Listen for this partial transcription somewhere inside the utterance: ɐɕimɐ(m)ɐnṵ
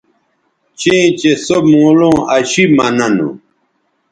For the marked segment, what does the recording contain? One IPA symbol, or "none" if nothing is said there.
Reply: n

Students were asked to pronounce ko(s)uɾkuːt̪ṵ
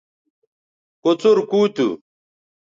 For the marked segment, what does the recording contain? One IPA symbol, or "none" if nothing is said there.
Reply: t͡s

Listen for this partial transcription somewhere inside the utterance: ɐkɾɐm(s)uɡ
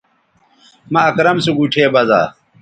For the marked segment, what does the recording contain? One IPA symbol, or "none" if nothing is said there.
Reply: s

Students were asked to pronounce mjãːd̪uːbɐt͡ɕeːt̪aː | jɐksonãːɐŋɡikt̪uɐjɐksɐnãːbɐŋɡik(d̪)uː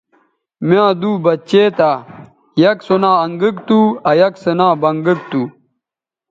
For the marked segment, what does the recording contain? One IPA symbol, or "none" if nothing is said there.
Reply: t̪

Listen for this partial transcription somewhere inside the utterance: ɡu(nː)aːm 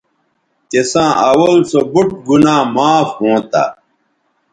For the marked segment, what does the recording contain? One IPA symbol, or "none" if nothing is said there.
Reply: n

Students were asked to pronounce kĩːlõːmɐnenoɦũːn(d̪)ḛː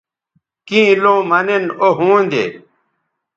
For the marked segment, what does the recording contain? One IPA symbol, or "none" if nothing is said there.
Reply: d̪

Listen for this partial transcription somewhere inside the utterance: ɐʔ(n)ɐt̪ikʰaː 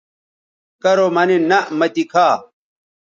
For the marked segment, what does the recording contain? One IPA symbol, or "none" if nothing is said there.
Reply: m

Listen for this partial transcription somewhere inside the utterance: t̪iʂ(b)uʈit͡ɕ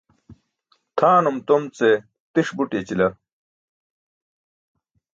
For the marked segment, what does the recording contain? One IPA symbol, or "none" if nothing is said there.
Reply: b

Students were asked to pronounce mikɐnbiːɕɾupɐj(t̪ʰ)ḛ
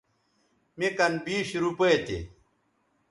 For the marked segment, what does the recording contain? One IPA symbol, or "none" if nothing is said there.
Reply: t̪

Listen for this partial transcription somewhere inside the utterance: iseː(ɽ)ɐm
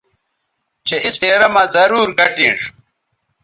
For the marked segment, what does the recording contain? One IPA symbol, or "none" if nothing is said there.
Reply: ɾ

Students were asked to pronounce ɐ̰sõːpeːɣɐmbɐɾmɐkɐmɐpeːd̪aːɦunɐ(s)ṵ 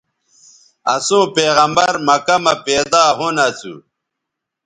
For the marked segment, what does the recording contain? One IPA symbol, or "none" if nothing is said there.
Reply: t͡s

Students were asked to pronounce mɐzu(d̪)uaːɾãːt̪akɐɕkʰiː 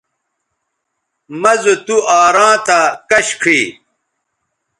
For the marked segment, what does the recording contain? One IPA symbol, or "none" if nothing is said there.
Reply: t̪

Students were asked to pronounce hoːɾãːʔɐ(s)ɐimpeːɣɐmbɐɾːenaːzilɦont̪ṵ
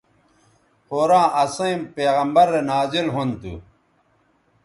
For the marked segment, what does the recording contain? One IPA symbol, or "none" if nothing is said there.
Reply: s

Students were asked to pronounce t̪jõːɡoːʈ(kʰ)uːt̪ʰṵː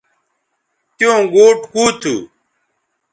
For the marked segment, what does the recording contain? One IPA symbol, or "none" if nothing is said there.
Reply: k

